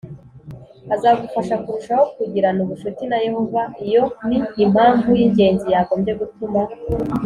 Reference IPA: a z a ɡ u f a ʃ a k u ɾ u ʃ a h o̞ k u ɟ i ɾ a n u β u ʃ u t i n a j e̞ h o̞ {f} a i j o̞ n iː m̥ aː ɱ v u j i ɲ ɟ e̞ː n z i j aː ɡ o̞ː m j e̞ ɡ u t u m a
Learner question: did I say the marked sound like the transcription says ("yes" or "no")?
no